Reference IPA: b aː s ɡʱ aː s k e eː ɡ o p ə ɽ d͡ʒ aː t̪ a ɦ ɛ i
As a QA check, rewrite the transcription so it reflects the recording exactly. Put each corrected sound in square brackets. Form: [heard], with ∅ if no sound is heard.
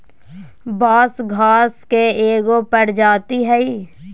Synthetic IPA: b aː s ɡʱ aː s k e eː ɡ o p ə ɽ d͡ʒ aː t̪ [i] ɦ ɛ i